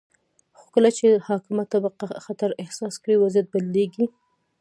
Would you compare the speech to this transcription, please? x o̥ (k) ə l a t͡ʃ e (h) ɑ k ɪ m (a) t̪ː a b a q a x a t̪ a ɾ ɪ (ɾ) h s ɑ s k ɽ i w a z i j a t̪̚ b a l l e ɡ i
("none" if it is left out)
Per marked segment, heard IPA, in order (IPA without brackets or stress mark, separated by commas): k, h, a, none